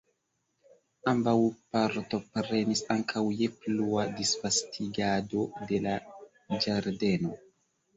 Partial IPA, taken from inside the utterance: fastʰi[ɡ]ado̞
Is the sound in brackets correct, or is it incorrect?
correct